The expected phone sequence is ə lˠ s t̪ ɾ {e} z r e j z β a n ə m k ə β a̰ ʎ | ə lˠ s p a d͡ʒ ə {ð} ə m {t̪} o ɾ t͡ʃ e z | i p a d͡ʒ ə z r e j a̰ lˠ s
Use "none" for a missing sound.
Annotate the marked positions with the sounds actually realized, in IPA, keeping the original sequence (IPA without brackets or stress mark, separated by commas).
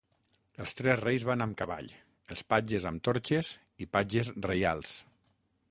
ɛ, z, t̪